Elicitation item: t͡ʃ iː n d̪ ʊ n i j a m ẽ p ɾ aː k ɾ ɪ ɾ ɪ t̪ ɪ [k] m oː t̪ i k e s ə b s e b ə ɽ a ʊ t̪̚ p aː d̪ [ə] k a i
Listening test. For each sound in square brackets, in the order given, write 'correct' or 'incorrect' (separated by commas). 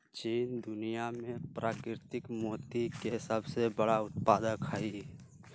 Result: correct, correct